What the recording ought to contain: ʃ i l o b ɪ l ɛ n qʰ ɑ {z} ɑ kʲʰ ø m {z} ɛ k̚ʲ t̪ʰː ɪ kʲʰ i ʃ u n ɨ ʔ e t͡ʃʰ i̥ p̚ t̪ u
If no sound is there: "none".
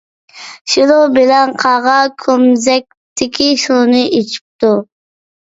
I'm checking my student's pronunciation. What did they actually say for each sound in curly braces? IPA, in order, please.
ʁ, z

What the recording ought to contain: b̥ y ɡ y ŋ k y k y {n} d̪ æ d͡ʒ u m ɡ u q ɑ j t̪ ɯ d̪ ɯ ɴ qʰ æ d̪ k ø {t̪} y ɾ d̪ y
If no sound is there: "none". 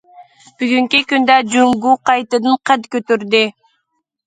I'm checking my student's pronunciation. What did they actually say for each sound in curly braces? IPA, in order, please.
n, t̪

